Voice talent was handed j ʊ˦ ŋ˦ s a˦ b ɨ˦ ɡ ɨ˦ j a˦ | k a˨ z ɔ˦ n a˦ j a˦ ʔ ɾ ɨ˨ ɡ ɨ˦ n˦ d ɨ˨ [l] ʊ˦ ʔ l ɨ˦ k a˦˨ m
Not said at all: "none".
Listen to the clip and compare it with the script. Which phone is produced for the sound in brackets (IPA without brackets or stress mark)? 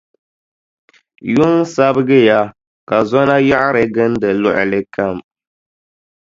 l